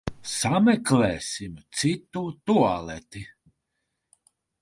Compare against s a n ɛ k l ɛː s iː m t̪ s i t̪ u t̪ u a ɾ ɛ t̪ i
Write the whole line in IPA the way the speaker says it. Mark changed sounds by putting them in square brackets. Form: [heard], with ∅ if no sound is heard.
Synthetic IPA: s a [m] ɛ k l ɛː s [i] m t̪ s i t̪ u t̪ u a [l] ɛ t̪ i